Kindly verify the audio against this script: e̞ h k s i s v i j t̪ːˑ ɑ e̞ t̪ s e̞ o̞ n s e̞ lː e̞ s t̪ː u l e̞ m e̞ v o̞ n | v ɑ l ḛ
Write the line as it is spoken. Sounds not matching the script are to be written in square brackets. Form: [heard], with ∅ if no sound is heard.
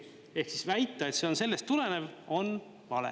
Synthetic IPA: e̞ h k s i s v [æ] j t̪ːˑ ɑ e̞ t̪ s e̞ o̞ n s e̞ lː e̞ s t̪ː u l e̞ [n] e̞ v o̞ n | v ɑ l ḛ